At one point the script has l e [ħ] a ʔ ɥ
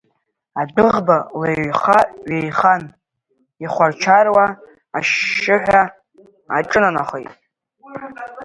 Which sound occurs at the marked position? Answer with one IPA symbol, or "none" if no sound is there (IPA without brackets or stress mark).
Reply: χ